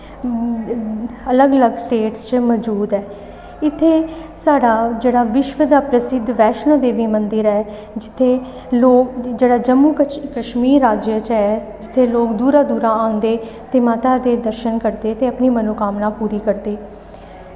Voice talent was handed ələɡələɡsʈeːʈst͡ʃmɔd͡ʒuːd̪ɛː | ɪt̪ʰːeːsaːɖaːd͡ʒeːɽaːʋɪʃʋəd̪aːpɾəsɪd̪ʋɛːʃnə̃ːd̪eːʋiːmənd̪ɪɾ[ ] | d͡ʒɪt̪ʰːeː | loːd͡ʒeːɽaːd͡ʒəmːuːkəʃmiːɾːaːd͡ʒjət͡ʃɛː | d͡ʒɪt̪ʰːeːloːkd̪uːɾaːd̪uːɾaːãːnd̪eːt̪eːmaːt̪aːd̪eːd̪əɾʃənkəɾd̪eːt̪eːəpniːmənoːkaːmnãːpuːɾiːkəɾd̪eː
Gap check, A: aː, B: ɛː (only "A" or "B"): B